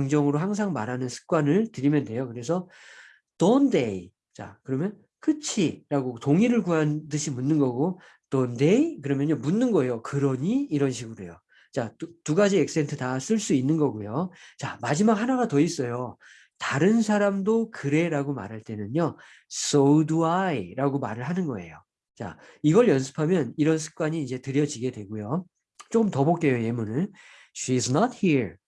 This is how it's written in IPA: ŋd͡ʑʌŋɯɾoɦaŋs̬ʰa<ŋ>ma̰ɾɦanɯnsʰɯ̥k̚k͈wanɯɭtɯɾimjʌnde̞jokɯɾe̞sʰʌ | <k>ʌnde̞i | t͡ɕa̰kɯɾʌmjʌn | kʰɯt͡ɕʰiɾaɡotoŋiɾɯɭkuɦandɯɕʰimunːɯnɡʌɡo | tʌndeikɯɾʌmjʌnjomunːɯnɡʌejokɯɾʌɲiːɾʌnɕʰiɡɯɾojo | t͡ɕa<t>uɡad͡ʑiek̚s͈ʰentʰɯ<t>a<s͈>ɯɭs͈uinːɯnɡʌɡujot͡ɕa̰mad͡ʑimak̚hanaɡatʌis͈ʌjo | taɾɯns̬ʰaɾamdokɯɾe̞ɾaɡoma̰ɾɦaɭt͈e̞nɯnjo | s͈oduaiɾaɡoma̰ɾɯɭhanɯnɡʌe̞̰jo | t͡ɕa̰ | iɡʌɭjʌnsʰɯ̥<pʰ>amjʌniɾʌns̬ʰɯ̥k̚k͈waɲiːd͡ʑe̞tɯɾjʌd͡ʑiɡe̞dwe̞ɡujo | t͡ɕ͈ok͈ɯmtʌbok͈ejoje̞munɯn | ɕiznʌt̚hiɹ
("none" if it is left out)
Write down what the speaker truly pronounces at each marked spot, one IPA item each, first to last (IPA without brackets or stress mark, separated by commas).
ŋ, t, t, t, s͈, pʰ